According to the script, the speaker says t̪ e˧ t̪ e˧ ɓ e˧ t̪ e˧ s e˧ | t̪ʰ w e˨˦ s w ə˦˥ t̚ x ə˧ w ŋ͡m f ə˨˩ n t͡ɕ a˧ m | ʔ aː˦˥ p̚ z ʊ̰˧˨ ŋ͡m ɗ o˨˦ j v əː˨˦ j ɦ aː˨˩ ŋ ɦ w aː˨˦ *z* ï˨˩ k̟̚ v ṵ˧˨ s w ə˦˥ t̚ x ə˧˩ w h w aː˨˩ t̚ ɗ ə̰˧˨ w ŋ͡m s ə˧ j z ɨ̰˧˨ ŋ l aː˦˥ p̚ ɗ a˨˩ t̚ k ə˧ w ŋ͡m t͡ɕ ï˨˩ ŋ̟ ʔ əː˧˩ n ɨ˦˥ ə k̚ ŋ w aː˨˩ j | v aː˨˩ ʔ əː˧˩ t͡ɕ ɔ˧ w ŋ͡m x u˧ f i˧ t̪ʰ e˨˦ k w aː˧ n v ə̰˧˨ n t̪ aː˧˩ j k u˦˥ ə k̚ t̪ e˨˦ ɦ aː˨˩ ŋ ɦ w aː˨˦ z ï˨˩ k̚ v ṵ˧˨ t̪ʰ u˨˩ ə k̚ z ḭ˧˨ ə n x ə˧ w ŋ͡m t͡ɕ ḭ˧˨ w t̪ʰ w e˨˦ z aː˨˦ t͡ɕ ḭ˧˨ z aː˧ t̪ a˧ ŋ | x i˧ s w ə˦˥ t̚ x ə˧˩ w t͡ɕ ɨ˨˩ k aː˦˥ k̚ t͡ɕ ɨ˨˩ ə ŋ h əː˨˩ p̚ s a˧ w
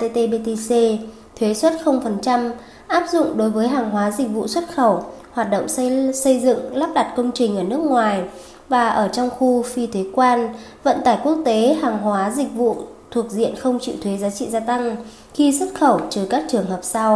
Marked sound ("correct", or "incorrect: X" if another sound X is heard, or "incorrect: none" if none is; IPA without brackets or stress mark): correct